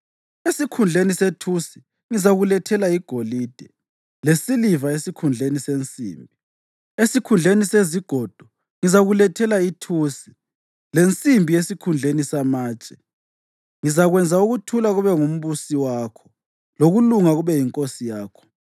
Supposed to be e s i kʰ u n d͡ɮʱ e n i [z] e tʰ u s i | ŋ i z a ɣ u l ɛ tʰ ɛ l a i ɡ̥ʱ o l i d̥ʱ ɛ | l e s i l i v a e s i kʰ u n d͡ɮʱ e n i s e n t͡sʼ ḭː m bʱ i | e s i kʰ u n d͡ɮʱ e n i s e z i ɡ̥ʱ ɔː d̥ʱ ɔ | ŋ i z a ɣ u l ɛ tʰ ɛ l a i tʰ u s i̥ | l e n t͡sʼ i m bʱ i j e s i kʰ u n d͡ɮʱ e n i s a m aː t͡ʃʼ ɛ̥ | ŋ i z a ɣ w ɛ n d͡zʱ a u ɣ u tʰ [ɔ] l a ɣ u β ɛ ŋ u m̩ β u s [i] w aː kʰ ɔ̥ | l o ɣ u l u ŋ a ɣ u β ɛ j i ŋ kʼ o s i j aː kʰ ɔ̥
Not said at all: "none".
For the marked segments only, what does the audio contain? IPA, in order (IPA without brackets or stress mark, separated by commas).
s, u, i